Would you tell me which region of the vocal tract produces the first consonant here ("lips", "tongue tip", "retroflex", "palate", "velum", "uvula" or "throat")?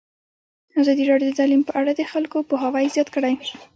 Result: tongue tip